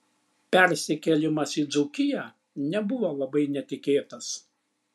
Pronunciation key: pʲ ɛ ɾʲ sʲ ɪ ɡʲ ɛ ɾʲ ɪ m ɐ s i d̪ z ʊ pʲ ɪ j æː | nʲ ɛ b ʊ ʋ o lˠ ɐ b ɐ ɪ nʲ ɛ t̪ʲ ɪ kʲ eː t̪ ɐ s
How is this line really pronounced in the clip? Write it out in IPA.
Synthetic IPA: pʲ ɛ ɾʲ sʲ ɪ kʲ ɛ lʲ ɪ m ɐ s i d̪ z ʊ kʲ ɪ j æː | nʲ ɛ b ʊ ʋ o lˠ ɐ b ɐ ɪ nʲ ɛ t̪ʲ ɪ kʲ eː t̪ ɐ s